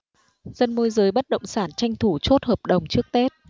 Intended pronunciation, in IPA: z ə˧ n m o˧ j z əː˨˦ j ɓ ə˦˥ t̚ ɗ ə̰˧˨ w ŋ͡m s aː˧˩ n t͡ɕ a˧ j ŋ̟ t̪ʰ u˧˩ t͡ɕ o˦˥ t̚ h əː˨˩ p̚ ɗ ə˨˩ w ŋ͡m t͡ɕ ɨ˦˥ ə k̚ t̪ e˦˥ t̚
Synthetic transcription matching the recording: z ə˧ n m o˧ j z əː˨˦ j ɓ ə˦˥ t̚ ɗ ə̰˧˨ w ŋ͡m s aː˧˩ n t͡ɕ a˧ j ŋ̟ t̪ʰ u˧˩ t͡ɕ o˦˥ t̚ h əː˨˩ p̚ ɗ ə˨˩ w ŋ͡m t͡ɕ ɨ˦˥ ə k̚ t̪ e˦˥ t̚